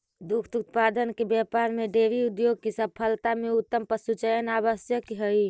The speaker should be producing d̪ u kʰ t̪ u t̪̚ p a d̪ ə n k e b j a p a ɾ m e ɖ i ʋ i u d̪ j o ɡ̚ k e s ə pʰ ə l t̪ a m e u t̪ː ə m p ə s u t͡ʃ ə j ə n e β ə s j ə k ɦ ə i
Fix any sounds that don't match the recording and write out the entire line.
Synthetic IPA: d̪ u kʰ t̪ u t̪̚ p a d̪ ə n k e b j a p a ɾ m e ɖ e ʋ i u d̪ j o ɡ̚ k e s ə pʰ ə l t̪ a m e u t̪ː ə m p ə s u t͡ʃ ə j ə n a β ə s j ə k ɦ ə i

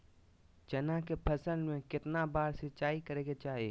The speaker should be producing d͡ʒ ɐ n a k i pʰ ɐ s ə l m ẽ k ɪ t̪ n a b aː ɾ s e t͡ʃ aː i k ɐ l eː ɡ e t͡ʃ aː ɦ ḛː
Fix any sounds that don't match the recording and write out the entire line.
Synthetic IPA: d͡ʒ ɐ n a k e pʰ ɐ s ə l m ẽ k ɪ t̪ n a b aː ɾ s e t͡ʃ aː i k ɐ ɾ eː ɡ e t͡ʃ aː ɦ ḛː

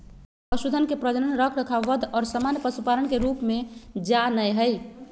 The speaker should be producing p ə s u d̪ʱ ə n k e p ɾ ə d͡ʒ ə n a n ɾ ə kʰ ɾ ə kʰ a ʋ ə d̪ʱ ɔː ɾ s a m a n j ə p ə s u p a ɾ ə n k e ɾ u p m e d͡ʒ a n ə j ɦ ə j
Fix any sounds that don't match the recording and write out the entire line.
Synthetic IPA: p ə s u d̪ʱ ə n k e p ɾ ə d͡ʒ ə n ə n ɾ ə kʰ ɾ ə kʰ a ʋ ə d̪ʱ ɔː ɾ s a m a n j ə p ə s u p a ɾ ə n k e ɾ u p m e d͡ʒ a n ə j ɦ ə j

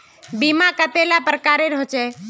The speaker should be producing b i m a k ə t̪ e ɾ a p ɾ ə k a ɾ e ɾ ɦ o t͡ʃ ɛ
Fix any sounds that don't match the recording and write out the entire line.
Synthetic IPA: b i m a k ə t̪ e l a p ɾ ə k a ɾ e ɾ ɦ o t͡ʃ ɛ

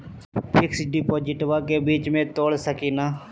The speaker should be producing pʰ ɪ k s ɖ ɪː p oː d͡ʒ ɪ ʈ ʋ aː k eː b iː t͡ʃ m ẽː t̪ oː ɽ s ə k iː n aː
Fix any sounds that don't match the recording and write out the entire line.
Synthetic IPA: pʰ ɪ k s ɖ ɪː p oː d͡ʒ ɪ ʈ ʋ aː k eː b iː t͡ʃ m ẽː t̪ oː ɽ s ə k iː n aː

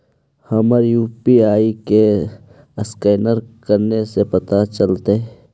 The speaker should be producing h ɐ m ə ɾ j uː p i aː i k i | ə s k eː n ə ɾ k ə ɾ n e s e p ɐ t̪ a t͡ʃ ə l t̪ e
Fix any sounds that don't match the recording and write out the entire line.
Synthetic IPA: h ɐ m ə ɾ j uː p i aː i k e | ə s k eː n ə ɾ k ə ɾ n e s e p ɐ t̪ a t͡ʃ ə l t̪ e

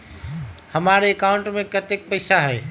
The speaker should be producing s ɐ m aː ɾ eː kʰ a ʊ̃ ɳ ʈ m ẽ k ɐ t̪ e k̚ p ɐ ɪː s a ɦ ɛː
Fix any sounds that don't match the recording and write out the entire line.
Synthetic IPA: h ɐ m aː ɾ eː k a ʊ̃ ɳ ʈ m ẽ k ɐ t̪ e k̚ p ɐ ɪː s a ɦ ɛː

